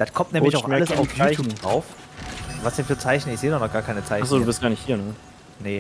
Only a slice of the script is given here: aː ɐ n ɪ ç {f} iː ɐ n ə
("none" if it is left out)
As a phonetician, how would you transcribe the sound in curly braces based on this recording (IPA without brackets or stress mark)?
h